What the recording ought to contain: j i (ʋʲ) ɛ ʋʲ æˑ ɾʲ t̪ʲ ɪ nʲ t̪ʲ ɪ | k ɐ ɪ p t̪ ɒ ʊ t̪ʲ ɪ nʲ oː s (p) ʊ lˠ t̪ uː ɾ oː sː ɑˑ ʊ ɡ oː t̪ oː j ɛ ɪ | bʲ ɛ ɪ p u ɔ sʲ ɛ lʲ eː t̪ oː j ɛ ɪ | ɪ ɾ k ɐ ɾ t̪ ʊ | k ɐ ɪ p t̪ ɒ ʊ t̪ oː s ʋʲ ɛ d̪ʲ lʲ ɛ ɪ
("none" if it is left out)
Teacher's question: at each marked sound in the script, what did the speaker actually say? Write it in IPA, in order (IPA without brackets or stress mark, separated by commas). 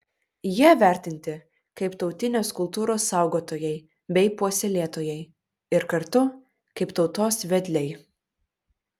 none, k